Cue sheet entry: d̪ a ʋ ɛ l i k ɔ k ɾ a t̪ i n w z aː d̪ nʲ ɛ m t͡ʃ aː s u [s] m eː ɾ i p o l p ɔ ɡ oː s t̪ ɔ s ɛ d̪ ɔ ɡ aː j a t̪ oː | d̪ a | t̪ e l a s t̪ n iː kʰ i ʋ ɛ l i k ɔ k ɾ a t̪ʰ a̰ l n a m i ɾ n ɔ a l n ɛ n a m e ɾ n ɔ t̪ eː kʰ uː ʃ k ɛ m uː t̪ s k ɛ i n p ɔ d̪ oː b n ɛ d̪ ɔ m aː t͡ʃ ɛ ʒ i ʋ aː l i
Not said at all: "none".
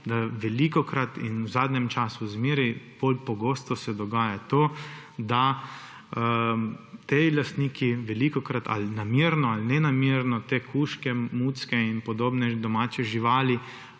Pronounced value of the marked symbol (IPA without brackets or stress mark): z